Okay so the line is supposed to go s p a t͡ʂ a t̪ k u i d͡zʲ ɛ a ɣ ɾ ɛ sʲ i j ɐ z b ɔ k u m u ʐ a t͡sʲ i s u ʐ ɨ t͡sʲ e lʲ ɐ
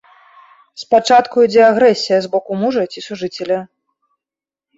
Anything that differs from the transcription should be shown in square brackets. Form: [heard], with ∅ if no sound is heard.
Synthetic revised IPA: s p a t͡ʂ a t̪ k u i d͡zʲ ɛ a ɣ ɾ ɛ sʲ i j ɐ z b ɔ k u m u ʐ [ɐ] t͡sʲ i s u ʐ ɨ t͡sʲ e lʲ ɐ

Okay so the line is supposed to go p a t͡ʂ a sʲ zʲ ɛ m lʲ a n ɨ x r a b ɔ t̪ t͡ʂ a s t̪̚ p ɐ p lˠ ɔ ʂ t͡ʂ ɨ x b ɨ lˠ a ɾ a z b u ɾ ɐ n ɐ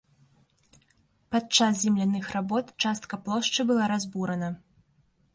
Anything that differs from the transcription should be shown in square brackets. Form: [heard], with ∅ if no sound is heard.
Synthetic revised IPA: p a t͡ʂ a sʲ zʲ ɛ m lʲ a n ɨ x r a b ɔ t̪ t͡ʂ a s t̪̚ [k] ɐ p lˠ ɔ ʂ t͡ʂ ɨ [∅] b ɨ lˠ a ɾ a z b u ɾ ɐ n ɐ

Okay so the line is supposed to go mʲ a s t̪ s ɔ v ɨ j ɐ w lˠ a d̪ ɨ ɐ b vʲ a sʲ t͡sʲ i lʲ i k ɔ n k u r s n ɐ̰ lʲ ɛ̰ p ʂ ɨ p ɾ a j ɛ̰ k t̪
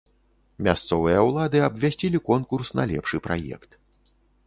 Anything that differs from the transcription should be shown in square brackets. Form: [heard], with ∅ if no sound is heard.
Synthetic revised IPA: mʲ a s t̪ s ɔ v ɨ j ɐ w lˠ a d̪ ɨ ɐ b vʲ a sʲ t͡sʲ i lʲ i k ɔ n k u r s n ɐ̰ lʲ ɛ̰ p ʂ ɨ p ɾ a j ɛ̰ k t̪

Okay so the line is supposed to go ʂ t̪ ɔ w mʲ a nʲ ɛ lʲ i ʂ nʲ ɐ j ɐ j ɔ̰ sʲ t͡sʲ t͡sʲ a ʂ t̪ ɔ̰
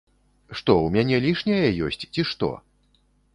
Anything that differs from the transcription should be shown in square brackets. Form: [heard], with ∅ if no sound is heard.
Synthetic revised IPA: ʂ t̪ ɔ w mʲ a nʲ ɛ lʲ i ʂ nʲ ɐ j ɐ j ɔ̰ sʲ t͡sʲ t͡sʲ [i] ʂ t̪ ɔ̰

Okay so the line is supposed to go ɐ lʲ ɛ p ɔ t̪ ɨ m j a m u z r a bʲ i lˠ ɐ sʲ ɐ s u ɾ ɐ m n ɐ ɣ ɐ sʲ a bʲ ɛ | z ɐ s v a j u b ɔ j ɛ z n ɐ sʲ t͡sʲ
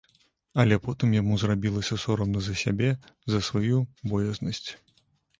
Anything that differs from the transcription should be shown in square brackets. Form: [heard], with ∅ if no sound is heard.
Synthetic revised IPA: ɐ lʲ ɛ p ɔ t̪ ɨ m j a m u z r a bʲ i lˠ ɐ sʲ ɐ s [ɔ] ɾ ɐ m n ɐ [z] ɐ sʲ a bʲ ɛ | z ɐ s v a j u b ɔ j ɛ z n ɐ sʲ t͡sʲ

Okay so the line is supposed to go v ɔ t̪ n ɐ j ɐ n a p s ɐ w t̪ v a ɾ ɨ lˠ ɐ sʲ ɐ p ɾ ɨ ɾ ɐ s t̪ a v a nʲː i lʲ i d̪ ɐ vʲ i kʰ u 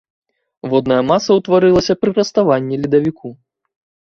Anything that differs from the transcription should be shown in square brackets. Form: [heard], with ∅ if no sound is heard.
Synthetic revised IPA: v ɔ [d̪] n ɐ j ɐ [m] a [∅] s ɐ w t̪ v a ɾ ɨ lˠ ɐ sʲ ɐ p ɾ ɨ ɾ ɐ s t̪ a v a nʲː i lʲ i d̪ ɐ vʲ i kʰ u

